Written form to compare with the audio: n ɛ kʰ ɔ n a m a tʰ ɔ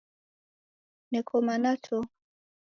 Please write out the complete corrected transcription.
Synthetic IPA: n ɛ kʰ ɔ m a n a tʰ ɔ